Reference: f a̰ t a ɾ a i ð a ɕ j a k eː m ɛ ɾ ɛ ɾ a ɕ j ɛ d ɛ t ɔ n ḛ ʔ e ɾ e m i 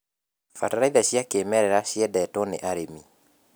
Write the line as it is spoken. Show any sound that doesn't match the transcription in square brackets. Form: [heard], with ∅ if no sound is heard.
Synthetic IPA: f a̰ t a ɾ a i ð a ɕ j a k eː m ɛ ɾ ɛ ɾ a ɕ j ɛ d ɛ t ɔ n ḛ ʔ [a] ɾ e m i

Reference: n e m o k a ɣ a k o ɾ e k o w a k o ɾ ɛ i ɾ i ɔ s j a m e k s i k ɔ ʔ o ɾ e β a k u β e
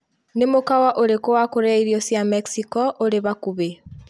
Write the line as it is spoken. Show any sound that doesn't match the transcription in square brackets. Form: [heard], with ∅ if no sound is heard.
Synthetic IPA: n e m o k a [w] a [ʔ] o ɾ e k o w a k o ɾ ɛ i ɾ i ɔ s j a m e k s i k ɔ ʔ o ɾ e β a k u β e

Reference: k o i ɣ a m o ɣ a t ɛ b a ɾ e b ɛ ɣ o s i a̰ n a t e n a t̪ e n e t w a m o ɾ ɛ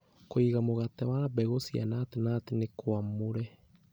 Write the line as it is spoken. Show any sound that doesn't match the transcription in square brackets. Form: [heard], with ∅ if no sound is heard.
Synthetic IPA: k o i ɣ a m o ɣ a t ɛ [w] a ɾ [a] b ɛ ɣ o s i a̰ n a t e n a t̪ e n e [k] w a m o ɾ ɛ

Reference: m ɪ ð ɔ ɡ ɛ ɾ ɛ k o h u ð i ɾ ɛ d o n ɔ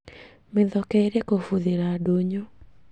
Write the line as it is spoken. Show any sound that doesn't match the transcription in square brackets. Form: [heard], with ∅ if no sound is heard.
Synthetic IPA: m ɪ ð ɔ [k] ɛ ɾ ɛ k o [f] u ð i ɾ [a] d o [ɲ] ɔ

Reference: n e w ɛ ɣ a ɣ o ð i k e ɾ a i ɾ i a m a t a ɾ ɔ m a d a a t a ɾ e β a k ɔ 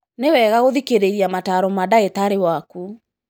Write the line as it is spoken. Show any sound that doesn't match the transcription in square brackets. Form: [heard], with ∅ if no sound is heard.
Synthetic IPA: n e w ɛ ɣ a ɣ o ð i k e ɾ [e] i ɾ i a m a t a ɾ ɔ m a d a [e] t a ɾ e [w] a k [u]

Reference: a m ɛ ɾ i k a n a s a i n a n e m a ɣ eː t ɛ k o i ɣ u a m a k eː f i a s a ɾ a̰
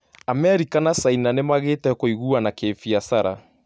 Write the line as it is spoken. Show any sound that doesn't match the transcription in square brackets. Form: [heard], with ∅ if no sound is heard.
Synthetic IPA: a m ɛ ɾ i k a n a s a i n a n e m a ɣ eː t ɛ k o i ɣ u a [n] a k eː f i a s a ɾ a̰

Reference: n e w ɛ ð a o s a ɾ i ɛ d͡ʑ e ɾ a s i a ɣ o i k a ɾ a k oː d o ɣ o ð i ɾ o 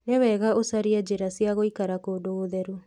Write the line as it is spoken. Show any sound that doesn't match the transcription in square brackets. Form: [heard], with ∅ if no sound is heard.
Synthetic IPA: n e w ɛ [ɣ] a o s a ɾ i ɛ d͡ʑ e ɾ a s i a ɣ o i k a ɾ a k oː d o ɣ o ð [ɛ] ɾ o

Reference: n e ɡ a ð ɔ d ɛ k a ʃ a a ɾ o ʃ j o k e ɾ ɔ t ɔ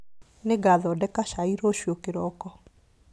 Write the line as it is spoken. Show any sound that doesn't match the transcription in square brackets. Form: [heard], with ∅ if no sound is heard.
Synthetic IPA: n e ɡ a ð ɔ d ɛ k a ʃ a [i] ɾ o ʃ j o k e ɾ ɔ [k] ɔ

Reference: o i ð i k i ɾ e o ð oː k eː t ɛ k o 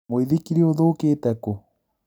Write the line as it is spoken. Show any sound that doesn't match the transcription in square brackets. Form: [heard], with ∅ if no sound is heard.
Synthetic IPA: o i ð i k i ɾ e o ð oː k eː t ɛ k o

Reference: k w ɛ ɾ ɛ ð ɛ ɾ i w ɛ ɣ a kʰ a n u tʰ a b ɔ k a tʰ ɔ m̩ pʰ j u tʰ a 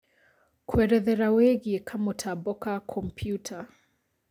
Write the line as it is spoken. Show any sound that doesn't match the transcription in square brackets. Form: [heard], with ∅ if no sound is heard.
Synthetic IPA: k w ɛ ɾ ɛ ð ɛ ɾ [a] w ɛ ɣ [i] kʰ a [m] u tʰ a b ɔ k a [kʰ] ɔ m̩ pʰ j u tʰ a

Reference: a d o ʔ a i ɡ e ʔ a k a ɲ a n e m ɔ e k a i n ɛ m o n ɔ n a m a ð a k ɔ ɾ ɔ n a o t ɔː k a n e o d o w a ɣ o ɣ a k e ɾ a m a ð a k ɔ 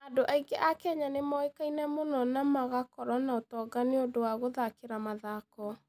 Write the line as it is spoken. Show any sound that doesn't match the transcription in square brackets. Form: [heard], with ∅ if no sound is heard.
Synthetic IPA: a d o ʔ a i ɡ e ʔ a k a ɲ a n e m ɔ e k a i n ɛ m o n ɔ n a m a [ɣ] a k ɔ ɾ ɔ n a o t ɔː [ɡ] a n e o d o w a ɣ o [ð] a k e ɾ a m a ð a k ɔ

